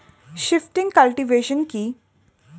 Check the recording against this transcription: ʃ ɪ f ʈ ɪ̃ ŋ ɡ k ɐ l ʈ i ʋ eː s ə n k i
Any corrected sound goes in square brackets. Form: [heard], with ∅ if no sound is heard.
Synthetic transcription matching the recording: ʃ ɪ f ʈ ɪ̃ ŋ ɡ k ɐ l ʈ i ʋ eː [ʃ] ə n k i